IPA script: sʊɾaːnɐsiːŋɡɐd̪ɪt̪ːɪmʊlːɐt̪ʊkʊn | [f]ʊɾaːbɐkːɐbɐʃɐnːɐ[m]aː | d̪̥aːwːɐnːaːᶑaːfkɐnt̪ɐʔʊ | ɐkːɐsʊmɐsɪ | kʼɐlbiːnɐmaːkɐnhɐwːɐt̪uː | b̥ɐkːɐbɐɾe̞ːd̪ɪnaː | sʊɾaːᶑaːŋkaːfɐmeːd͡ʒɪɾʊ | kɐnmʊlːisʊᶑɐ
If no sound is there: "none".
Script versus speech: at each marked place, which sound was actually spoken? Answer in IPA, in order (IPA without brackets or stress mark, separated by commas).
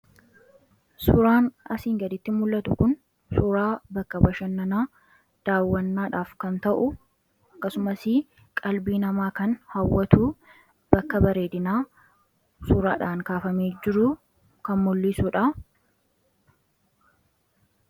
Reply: s, n